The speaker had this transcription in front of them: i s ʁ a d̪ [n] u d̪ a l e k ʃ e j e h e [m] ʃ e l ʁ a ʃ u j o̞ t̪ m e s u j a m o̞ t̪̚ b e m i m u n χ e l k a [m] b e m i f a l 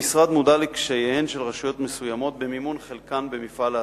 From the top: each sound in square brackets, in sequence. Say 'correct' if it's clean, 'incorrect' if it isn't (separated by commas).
incorrect, incorrect, incorrect